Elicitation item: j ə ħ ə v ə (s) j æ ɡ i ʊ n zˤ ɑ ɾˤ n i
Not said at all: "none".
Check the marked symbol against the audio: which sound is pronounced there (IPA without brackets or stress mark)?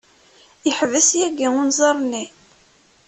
s